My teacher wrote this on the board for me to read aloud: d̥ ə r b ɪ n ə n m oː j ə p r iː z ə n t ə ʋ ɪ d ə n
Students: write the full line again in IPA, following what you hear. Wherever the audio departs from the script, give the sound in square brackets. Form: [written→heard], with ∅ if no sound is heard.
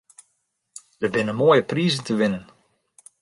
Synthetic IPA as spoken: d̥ ə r b ɪ n ə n m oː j ə p r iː z ə n t ə ʋ ɪ [d→n] ə n